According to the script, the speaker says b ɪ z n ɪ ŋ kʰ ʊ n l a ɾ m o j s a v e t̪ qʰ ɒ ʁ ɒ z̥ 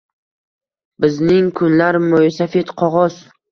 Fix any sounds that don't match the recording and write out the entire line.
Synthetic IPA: b ɪ z n ɪ ŋ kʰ ʊ n l a ɾ m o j s a f e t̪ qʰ ɒ ʁ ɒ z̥